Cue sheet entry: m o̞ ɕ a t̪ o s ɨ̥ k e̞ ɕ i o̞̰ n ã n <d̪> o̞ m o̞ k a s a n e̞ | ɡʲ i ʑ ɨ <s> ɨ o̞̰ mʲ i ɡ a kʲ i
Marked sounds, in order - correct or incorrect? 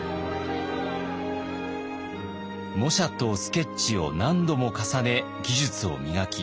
correct, incorrect: t͡s

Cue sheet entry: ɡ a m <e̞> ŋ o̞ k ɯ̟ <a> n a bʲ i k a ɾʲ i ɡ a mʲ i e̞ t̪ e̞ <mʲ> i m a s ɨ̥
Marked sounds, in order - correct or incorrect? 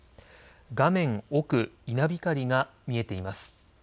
incorrect: ẽ̞, incorrect: i, incorrect: none

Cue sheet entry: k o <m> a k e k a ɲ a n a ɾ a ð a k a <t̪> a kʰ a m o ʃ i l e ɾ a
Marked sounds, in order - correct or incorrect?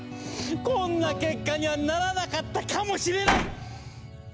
incorrect: n, correct

